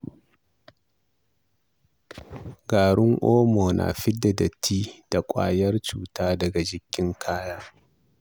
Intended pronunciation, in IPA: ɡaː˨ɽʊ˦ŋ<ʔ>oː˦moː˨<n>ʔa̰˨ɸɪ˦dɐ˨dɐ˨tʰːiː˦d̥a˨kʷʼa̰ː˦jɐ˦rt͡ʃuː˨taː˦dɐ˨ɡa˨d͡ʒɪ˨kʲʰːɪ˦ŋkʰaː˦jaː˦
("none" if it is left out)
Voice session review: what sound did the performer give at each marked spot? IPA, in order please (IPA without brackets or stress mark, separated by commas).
ʔ, n